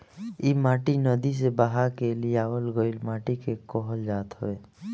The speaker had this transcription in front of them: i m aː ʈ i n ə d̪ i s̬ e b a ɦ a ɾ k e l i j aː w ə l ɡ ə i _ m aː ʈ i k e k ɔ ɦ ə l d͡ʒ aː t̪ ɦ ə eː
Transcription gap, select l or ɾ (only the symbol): l